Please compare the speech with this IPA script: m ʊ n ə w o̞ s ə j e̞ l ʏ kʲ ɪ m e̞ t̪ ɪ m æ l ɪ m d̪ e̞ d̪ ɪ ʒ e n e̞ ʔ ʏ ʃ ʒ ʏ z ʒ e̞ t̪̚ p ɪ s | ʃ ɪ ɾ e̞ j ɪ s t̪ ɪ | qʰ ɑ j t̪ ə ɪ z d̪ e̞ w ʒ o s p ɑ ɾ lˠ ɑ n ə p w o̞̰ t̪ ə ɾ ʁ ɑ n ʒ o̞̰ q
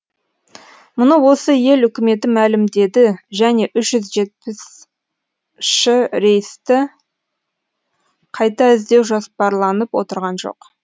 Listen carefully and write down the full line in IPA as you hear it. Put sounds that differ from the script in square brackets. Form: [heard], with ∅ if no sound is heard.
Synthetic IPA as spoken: m ʊ n ə w o̞ s ə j e̞ l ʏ kʲ ɪ m e̞ t̪ ɪ m æ l ɪ m d̪ e̞ d̪ ɪ ʒ [æ] n e̞ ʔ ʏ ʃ ʒ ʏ z ʒ e̞ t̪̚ p ɪ s | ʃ ɪ ɾ e̞ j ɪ s t̪ ɪ | qʰ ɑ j t̪ [ɑ] ɪ z d̪ e̞ w ʒ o s p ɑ ɾ lˠ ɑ n ə p w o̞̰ t̪ ə ɾ ʁ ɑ n ʒ o̞̰ q